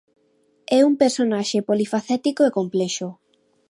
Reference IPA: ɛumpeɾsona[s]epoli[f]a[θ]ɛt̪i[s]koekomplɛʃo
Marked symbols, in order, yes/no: no, yes, yes, no

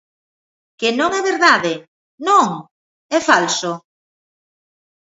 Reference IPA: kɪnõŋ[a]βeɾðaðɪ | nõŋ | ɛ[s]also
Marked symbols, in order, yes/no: no, no

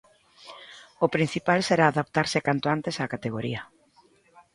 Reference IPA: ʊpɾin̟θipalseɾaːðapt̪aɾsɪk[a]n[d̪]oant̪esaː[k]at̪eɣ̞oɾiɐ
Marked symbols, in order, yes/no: yes, no, yes

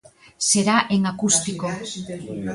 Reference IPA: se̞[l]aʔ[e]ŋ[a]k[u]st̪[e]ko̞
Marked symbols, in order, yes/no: no, yes, yes, yes, no

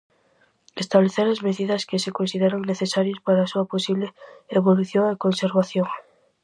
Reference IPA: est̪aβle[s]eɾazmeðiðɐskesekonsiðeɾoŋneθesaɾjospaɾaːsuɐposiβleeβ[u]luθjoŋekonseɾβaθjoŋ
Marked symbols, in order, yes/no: no, no

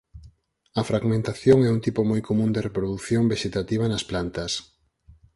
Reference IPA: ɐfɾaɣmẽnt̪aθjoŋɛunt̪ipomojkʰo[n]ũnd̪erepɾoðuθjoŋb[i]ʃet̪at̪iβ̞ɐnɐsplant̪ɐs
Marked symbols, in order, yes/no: no, no

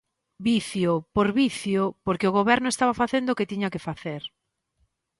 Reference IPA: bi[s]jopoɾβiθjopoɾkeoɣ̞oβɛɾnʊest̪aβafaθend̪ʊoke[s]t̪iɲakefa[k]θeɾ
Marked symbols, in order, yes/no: no, no, no

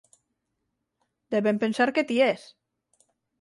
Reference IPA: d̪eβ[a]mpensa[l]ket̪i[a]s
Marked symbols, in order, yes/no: no, no, no

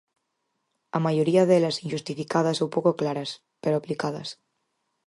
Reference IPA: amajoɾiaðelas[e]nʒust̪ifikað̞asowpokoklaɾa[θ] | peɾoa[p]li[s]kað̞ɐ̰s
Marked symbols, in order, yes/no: no, no, yes, no

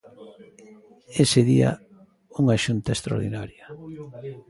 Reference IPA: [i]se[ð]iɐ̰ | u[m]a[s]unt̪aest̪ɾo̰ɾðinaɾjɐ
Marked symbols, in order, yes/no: no, yes, no, no

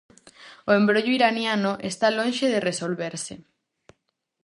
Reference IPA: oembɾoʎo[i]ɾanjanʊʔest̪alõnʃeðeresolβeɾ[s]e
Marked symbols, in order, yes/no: yes, yes

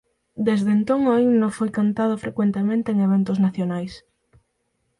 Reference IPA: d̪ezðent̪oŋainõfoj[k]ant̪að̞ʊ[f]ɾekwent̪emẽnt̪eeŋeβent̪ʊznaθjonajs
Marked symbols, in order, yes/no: yes, yes

